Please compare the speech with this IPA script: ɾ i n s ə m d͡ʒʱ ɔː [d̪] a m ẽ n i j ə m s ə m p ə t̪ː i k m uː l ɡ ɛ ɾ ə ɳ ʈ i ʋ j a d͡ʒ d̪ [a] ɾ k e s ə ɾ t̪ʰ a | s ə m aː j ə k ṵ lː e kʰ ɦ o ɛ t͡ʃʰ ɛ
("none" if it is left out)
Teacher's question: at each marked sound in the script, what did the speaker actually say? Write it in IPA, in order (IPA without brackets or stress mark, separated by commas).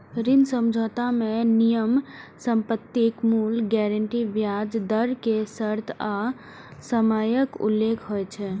t̪, ə